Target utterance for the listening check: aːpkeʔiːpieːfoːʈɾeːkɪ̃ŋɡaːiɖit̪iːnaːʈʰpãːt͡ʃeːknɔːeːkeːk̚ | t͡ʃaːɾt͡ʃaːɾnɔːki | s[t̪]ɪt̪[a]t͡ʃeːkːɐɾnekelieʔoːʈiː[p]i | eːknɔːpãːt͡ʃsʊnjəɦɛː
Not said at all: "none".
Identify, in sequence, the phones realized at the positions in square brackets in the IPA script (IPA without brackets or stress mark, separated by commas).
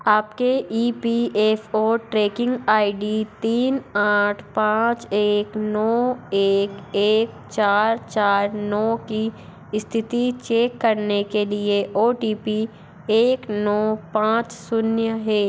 t̪ʰ, i, p